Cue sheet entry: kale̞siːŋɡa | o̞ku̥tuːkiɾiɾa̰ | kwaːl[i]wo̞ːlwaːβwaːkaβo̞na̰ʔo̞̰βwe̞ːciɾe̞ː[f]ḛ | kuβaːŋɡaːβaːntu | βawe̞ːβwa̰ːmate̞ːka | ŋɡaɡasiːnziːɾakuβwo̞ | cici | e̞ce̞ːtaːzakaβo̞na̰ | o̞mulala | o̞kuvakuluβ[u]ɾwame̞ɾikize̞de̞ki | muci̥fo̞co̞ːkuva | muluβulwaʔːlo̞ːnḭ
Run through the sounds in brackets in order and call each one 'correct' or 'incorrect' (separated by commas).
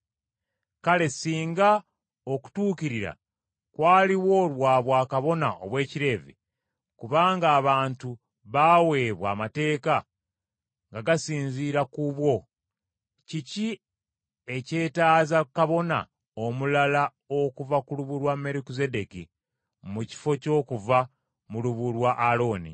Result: correct, incorrect, correct